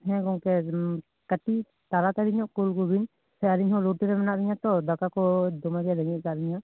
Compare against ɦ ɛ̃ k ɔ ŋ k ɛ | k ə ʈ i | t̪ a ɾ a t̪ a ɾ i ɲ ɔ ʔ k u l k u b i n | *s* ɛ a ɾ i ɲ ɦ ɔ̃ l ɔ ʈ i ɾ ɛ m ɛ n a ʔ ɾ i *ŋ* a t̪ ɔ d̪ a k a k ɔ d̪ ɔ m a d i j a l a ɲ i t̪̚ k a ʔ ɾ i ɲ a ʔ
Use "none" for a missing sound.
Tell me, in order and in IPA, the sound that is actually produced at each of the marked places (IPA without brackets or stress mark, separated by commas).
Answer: s, ɲ